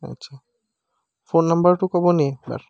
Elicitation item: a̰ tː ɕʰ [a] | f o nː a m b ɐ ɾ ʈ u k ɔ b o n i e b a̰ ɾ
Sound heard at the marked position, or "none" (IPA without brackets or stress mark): a